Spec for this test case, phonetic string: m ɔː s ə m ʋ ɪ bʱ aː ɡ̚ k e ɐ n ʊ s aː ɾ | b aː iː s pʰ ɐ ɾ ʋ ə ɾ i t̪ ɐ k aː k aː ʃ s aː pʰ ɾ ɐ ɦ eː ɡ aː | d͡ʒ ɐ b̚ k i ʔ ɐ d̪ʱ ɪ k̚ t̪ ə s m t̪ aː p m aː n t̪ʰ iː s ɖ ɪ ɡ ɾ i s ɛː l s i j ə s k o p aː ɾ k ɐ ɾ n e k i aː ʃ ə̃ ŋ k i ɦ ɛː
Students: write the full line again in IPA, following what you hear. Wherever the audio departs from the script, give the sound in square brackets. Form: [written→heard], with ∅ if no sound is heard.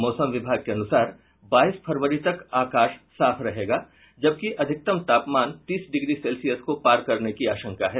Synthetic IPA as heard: m ɔː s ə m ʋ ɪ bʱ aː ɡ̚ k e ɐ n ʊ s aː ɾ | b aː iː s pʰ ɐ ɾ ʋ ə ɾ i t̪ ɐ k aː k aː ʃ s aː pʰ ɾ ɐ ɦ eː ɡ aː | d͡ʒ ɐ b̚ k i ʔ ɐ d̪ʱ ɪ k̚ t̪ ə [s→∅] m t̪ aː p m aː n [t̪ʰ→t̪] iː s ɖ ɪ ɡ ɾ i s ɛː l s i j ə s k o p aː ɾ k ɐ ɾ n e k i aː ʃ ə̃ ŋ k [i→a] ɦ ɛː